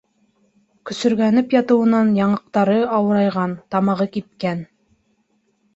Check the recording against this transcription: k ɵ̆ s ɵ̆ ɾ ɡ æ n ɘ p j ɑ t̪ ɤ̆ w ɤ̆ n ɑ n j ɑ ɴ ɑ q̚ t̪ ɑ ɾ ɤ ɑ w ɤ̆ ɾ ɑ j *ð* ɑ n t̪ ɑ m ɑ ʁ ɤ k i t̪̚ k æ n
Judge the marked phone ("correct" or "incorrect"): incorrect